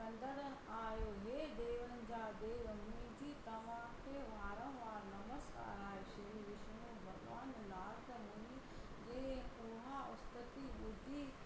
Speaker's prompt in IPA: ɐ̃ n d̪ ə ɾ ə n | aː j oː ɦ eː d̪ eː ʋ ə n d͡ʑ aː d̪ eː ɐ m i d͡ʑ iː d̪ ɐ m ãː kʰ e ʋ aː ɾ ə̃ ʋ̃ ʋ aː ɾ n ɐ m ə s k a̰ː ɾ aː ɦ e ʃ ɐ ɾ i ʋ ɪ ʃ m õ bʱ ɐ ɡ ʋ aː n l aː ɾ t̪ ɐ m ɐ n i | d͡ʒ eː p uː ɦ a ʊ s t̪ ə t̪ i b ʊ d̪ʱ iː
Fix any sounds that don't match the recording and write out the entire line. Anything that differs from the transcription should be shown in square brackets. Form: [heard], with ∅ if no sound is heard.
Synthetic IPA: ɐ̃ n d̪ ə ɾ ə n | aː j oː ɦ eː d̪ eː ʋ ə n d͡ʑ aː d̪ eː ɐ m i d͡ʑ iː [t̪] ɐ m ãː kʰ e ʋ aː ɾ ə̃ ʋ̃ ʋ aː ɾ n ɐ m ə s k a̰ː ɾ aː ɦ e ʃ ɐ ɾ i ʋ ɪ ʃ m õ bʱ ɐ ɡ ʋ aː n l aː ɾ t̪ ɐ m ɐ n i | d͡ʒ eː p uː ɦ a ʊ s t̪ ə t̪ i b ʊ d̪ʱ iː